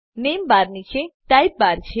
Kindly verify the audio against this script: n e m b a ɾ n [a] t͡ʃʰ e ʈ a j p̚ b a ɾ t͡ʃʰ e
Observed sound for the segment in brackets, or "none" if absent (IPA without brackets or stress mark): i